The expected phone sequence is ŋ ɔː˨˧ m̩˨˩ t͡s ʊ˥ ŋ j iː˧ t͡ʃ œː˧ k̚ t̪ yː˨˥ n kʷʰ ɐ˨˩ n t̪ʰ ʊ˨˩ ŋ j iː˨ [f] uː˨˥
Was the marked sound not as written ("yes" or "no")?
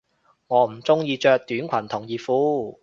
no